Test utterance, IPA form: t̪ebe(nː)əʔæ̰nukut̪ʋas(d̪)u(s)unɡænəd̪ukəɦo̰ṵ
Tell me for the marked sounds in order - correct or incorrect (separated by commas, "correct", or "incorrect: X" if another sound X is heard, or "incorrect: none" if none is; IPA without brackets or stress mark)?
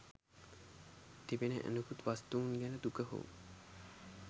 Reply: incorrect: n, incorrect: t̪, incorrect: none